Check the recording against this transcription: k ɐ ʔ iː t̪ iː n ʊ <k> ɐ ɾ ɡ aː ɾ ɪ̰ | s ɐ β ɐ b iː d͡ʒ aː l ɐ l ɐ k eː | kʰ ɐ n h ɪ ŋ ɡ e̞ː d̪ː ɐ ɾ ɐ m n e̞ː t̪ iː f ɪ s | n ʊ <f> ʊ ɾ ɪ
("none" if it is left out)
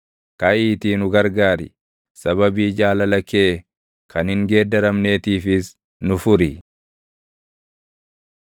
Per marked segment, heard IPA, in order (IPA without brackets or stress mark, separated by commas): ɡ, f